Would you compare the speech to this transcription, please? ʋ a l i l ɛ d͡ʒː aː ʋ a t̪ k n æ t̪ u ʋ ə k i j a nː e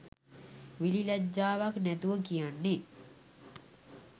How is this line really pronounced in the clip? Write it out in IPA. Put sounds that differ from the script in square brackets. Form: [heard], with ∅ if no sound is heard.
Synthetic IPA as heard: ʋ [i] l i l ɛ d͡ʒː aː ʋ a [∅] k n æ t̪ u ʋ ə k i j a nː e